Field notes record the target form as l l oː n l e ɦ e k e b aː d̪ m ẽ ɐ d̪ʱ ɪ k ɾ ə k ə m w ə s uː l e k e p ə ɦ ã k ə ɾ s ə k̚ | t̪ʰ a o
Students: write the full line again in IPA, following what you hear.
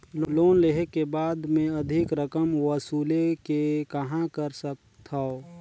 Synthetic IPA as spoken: l l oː n l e ɦ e k e b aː d̪ m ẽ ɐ d̪ʱ ɪ k ɾ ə k ə m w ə s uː l e k e k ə ɦ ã k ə ɾ s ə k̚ | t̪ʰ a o